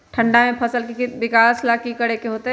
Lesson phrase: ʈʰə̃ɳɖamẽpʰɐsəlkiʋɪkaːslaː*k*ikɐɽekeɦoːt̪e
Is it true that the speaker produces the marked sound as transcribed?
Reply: yes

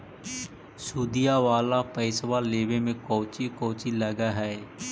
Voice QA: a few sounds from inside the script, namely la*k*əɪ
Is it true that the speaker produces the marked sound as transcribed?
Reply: no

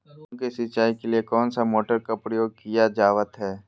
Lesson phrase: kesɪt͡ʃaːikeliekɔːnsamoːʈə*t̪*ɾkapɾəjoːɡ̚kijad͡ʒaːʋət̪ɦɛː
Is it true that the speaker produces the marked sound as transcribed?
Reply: no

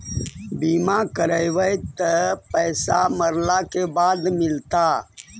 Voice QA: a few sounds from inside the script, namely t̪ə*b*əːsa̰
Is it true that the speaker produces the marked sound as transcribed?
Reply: no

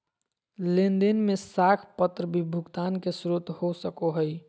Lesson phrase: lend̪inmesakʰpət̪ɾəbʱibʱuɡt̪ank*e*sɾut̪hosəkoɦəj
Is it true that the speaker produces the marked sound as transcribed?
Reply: yes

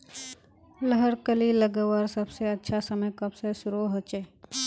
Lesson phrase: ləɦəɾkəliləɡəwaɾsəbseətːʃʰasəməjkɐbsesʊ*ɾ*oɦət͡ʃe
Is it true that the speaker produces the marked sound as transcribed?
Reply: yes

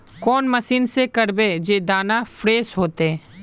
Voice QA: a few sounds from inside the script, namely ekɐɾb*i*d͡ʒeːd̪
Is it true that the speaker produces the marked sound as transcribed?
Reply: no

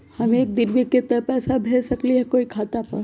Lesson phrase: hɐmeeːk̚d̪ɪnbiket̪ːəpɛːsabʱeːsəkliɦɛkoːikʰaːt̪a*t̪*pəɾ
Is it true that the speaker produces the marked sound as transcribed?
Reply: no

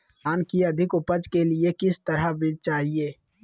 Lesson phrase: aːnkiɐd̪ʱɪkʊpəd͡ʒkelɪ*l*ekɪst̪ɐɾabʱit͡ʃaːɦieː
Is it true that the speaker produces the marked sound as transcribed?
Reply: no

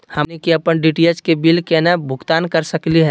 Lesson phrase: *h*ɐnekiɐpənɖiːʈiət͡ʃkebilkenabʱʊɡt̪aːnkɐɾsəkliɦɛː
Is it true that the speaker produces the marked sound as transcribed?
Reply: yes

